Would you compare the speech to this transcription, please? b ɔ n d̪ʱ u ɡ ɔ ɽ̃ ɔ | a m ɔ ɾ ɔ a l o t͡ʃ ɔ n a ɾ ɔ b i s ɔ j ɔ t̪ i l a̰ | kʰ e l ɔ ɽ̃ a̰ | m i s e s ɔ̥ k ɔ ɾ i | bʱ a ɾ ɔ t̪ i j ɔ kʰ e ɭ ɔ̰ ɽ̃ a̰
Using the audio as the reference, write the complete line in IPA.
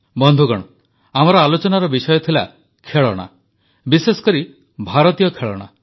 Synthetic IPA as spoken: b ɔ n d̪ʱ u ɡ ɔ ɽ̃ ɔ | a m ɔ ɾ ɔ a l o t͡ʃ ɔ n a ɾ ɔ b i s ɔ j ɔ t̪ʰ i l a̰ | kʰ e ɭ ɔ ɽ̃ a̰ | b i s e s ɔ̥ k ɔ ɾ i | bʱ a ɾ ɔ t̪ i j ɔ kʰ e ɭ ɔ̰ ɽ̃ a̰